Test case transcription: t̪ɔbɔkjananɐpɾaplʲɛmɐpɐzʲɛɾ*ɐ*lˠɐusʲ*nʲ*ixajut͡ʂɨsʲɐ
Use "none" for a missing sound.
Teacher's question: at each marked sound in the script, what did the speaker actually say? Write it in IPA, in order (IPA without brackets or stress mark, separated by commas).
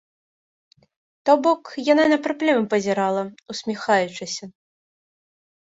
a, mʲ